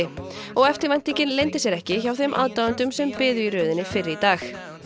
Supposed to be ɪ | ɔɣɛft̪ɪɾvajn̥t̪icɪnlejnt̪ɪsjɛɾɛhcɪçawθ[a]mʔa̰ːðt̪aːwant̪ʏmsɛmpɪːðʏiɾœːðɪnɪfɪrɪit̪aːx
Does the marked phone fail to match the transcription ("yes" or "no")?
yes